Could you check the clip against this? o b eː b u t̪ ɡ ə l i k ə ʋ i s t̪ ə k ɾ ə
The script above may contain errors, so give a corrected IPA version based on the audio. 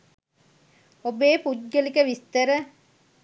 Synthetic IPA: o b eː p u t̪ ɡ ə l i k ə ʋ i s t̪ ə ɾ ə